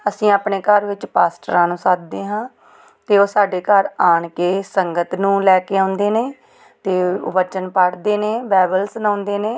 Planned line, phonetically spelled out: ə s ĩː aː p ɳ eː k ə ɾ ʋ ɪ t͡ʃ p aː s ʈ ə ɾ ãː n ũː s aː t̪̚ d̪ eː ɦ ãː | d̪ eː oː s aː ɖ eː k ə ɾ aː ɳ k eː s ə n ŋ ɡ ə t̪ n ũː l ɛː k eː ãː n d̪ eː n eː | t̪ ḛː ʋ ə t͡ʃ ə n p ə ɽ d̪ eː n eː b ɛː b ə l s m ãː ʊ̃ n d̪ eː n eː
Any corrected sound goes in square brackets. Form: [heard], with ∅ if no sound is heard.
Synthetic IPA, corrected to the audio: ə s ĩː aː p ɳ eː k ə ɾ ʋ ɪ t͡ʃ p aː s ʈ ə ɾ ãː n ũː s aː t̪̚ d̪ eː ɦ ãː | [t̪] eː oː s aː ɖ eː k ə ɾ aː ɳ k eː s ə [∅] ŋ ɡ ə t̪ n ũː l ɛː k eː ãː n d̪ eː n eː | t̪ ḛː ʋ ə t͡ʃ ə n p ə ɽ d̪ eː n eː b ɛː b ə l s [n] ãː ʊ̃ n d̪ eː n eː